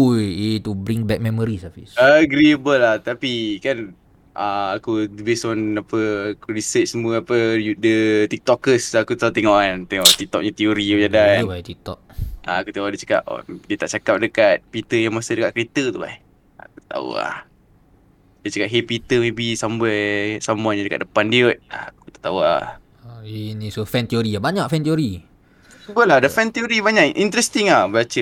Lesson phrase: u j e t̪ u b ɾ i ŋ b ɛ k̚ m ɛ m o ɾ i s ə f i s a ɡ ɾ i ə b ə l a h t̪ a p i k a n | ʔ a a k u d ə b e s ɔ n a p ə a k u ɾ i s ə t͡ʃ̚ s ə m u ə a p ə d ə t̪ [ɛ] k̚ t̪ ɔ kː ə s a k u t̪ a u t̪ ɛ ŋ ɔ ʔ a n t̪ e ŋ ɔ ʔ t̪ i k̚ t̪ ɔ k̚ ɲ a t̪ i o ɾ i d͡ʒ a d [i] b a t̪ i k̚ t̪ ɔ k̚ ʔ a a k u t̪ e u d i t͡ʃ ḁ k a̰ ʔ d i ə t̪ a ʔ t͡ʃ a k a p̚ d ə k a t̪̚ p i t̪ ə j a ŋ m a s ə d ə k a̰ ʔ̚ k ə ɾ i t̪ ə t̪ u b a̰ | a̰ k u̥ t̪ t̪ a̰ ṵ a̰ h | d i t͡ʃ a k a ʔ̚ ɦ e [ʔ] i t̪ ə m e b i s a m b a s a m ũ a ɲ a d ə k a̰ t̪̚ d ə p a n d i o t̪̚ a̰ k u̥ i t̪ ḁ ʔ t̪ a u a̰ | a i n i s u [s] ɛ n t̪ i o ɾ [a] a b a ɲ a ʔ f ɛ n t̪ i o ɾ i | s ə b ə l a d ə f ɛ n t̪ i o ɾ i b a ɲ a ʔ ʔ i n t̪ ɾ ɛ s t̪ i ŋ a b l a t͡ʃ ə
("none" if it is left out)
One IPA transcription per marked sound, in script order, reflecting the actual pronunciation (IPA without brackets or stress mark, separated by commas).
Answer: i, a, p, f, i